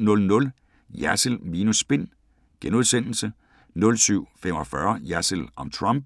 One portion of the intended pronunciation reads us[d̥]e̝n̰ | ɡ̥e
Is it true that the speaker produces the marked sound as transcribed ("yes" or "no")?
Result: no